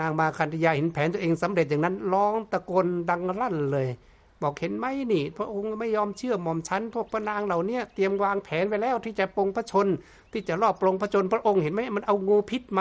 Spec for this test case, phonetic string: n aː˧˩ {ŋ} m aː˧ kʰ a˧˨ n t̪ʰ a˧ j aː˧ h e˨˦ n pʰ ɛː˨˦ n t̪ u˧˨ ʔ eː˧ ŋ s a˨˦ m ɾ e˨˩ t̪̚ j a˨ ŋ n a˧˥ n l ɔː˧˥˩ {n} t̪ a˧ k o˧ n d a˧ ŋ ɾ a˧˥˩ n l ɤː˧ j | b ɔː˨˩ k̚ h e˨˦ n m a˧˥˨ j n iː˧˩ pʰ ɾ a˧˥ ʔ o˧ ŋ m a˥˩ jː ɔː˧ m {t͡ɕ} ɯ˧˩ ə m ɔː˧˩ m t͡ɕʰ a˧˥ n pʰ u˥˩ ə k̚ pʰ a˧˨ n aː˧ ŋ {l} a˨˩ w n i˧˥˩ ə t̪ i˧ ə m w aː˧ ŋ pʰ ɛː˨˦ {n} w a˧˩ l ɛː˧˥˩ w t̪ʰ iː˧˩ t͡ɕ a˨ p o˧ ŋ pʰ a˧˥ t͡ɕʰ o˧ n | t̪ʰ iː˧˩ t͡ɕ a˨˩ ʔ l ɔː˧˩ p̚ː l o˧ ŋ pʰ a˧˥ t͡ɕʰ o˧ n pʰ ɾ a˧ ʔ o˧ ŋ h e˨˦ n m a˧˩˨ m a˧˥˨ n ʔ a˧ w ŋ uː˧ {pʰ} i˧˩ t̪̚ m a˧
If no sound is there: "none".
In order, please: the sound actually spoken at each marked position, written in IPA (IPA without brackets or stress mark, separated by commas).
ŋ, ŋ, t͡ɕʰ, l, n, pʰ